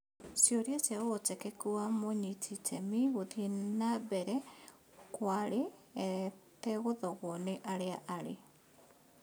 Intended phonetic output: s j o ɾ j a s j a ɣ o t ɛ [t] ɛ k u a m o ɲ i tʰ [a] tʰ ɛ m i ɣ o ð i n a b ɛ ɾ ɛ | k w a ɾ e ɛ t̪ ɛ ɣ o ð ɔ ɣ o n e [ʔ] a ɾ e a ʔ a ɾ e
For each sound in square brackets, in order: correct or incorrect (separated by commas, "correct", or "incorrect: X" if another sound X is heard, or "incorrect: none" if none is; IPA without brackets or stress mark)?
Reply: incorrect: k, incorrect: i, correct